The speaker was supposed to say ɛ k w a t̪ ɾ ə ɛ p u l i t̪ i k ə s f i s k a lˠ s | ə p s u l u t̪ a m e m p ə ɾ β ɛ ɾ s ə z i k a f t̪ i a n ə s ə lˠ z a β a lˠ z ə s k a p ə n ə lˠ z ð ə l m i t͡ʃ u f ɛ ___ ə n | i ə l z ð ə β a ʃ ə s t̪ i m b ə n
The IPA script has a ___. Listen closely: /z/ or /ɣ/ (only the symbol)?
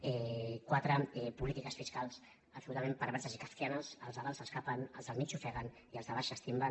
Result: ɣ